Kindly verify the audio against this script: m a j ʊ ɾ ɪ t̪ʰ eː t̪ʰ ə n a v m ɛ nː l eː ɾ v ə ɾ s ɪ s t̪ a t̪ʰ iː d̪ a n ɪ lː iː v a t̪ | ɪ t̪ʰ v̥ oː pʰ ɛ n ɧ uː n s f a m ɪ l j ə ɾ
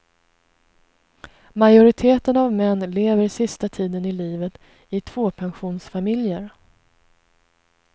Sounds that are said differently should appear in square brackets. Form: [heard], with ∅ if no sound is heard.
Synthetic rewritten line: m a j ʊ ɾ ɪ t̪ʰ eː [t̪] ə n a v m ɛ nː l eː [∅] v ə ɾ s ɪ s t̪ a t̪ʰ iː d̪ [ə] n ɪ [l] iː v [ə] t̪ | ɪ t̪ʰ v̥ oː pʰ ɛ n ɧ uː n s f a m ɪ l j ə ɾ